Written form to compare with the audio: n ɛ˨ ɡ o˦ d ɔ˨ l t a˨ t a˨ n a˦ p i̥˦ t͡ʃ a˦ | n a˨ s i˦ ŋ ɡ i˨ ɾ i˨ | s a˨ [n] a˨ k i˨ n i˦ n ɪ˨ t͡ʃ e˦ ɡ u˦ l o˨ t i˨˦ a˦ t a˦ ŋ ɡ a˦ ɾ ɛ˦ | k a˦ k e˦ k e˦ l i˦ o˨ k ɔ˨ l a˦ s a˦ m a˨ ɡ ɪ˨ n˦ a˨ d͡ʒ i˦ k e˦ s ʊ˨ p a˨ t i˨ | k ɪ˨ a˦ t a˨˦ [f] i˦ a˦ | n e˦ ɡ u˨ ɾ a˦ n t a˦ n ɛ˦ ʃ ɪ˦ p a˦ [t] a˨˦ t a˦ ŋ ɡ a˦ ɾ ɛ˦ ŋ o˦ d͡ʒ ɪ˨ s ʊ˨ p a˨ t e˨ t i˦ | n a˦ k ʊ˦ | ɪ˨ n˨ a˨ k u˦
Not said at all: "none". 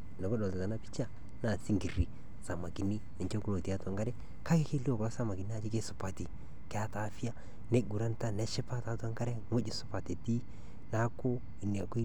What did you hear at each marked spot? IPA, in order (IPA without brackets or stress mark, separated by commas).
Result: m, f, t